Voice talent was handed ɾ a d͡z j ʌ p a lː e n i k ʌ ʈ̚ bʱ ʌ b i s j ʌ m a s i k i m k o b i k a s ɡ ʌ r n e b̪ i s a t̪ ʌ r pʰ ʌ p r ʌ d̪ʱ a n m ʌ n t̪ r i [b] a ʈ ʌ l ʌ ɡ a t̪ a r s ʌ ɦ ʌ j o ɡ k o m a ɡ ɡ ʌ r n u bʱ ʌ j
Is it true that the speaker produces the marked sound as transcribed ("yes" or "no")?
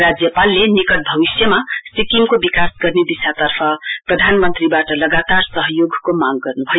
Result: yes